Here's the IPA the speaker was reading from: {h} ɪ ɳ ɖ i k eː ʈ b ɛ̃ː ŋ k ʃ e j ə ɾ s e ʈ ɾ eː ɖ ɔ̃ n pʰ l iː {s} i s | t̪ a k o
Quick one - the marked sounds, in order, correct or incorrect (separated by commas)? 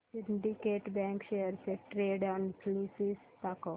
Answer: incorrect, correct